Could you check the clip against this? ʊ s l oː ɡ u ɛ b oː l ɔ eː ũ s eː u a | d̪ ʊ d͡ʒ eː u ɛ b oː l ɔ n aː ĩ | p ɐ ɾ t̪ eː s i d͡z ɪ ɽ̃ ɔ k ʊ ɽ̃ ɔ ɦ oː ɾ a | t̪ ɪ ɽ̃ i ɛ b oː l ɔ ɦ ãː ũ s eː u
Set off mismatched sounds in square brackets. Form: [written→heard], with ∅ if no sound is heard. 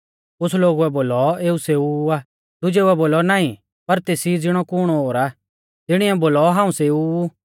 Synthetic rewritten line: ʊ s l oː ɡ u ɛ b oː l ɔ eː [ũ→u] s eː u a | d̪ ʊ d͡ʒ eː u ɛ b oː l ɔ n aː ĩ | p ɐ ɾ t̪ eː s i d͡z ɪ ɽ̃ ɔ k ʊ ɽ̃ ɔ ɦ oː ɾ a | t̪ ɪ ɽ̃ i ɛ b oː l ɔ ɦ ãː ũ s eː u